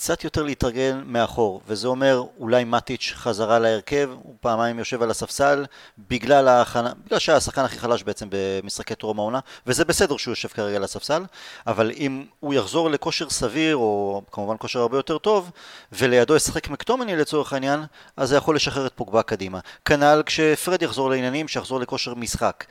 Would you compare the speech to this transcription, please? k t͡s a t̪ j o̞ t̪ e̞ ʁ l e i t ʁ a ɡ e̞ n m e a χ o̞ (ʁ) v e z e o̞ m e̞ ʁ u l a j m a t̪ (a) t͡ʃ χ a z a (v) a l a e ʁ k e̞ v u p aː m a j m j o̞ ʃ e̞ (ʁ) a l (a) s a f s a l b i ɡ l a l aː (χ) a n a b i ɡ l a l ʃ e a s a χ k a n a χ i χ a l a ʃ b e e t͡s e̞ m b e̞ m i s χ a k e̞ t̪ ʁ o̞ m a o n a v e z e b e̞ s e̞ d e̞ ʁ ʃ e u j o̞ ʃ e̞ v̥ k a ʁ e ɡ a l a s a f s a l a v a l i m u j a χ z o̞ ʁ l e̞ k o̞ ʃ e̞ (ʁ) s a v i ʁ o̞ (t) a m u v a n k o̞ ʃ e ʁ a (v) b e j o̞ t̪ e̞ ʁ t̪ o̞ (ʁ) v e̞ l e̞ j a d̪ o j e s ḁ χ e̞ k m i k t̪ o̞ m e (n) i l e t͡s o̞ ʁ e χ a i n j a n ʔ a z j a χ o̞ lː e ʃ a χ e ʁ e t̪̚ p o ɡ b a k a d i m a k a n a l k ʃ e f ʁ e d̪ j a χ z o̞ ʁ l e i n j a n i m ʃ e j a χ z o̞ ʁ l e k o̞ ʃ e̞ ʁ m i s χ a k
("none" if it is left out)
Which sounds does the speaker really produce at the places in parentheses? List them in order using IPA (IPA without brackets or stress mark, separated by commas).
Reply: ʁ, i, ʁ, v, a, χ, ʁ, k, ʁ, v, n